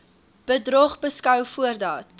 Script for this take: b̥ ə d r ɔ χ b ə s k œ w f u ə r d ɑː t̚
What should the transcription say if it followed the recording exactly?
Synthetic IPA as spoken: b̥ ə d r ɔ χ b ə s k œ w f u ə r d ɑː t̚